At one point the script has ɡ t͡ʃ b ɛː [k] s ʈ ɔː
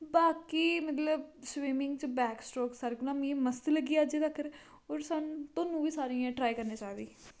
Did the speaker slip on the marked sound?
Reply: no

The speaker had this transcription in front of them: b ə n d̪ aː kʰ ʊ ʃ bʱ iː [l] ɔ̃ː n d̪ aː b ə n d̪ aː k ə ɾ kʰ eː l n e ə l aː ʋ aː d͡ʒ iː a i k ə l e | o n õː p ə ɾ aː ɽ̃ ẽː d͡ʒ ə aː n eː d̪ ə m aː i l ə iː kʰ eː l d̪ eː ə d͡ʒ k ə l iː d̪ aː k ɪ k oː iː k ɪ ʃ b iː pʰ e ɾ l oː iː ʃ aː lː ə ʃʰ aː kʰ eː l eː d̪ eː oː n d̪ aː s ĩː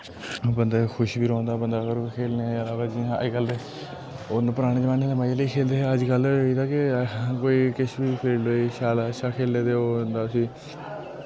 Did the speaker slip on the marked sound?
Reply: yes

